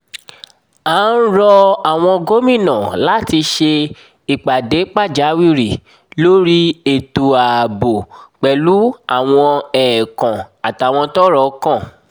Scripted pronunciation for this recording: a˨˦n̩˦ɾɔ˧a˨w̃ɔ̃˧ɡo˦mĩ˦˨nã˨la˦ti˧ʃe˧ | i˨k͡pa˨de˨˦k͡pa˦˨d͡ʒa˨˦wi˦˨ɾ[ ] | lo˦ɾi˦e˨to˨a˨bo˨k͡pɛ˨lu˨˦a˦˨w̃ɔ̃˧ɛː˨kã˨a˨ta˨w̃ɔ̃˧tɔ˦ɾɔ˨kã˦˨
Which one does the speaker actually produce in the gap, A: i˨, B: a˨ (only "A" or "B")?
A